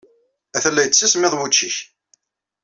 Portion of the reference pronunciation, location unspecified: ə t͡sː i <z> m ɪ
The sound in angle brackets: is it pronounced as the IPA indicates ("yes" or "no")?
no